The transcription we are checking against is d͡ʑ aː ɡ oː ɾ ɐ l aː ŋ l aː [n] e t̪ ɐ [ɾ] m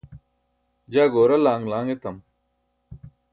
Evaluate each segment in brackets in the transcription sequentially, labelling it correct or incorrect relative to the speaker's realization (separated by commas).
incorrect, incorrect